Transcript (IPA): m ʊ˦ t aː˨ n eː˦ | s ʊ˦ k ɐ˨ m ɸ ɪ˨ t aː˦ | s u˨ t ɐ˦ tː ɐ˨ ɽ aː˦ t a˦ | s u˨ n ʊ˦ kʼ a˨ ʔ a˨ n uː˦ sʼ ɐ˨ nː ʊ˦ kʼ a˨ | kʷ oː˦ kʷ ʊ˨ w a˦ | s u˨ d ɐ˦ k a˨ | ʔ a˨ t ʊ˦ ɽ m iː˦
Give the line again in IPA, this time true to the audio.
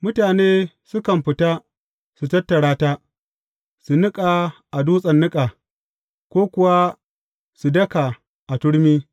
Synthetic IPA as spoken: m ʊ˦ t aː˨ n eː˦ | s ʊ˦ k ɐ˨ m ɸ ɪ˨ t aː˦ | s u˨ t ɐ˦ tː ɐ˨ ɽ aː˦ t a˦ | s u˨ n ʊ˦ kʼ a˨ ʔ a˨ d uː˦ sʼ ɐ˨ nː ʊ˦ kʼ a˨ | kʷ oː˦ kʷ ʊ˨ w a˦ | s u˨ d ɐ˦ k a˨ | ʔ a˨ t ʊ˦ ɽ m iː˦